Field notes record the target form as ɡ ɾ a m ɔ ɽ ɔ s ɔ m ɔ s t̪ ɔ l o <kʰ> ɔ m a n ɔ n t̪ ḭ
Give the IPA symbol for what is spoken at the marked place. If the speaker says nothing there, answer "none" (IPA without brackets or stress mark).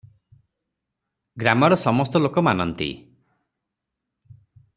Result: k